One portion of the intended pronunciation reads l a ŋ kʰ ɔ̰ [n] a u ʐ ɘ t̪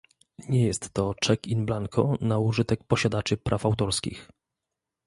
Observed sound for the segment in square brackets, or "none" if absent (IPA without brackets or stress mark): n